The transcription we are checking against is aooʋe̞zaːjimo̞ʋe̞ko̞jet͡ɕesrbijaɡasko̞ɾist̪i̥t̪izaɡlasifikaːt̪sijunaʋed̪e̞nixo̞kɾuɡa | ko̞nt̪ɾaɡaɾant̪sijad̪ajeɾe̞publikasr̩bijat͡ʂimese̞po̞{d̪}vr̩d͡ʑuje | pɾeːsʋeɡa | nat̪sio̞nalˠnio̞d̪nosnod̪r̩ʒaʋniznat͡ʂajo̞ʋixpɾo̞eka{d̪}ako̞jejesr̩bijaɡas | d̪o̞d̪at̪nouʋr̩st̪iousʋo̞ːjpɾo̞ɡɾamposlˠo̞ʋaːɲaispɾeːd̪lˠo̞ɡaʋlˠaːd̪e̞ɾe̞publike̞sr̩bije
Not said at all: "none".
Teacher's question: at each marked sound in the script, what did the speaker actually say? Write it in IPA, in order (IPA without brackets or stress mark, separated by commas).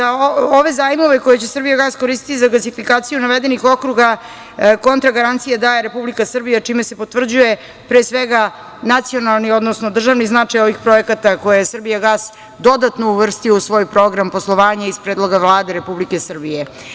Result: t̪, t̪